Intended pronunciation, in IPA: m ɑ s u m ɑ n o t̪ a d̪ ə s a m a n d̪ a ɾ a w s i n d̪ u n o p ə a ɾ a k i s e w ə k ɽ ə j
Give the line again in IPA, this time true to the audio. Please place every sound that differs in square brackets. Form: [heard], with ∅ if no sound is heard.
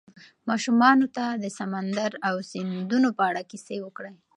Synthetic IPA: m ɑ [ʃ] u m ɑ n o t̪ a d̪ ə s a m a n d̪ a ɾ a w s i n d̪ u n o p ə a [ɽ] a k i s e w ə k ɽ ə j